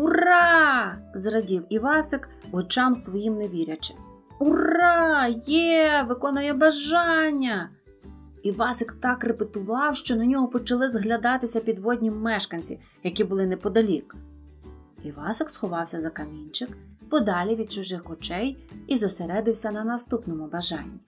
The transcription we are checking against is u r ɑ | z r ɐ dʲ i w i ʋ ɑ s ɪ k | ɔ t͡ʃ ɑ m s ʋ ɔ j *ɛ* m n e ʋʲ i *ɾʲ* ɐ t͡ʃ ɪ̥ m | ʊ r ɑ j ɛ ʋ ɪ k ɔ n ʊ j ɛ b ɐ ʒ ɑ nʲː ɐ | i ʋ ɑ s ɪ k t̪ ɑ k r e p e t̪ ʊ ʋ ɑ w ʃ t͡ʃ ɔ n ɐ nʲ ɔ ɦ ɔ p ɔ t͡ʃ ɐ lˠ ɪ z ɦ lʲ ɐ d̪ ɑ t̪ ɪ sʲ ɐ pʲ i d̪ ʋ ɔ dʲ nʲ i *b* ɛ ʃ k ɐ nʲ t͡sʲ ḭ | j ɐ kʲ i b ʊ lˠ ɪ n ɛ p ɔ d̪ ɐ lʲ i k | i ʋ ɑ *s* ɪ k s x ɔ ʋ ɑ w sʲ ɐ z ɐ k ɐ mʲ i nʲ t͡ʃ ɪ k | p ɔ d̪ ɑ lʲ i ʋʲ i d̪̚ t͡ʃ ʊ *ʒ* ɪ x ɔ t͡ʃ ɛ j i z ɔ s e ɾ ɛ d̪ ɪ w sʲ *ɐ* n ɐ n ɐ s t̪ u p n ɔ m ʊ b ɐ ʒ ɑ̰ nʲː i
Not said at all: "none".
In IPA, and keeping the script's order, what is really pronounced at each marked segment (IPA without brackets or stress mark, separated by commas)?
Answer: i, ɾʲ, m, s, ʒ, ɐ